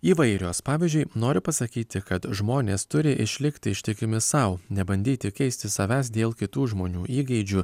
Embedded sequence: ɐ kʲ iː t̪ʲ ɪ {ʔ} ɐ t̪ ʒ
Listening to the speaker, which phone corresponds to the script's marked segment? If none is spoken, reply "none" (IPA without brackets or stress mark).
k